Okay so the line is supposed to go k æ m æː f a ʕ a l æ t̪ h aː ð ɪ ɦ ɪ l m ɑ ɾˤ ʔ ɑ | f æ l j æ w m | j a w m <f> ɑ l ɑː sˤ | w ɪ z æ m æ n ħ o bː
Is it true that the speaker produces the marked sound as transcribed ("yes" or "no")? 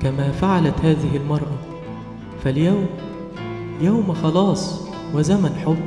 no